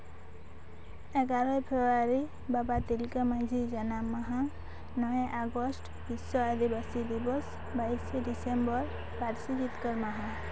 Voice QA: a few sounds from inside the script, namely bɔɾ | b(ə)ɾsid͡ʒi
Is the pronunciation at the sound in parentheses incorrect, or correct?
incorrect